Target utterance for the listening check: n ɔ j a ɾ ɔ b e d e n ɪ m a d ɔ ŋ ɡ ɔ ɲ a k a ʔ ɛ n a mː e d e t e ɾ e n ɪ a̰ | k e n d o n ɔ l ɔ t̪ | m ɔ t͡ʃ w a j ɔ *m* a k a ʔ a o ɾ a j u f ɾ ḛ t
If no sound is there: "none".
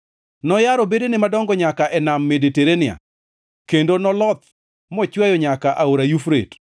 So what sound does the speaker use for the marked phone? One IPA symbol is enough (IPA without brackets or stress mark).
ɲ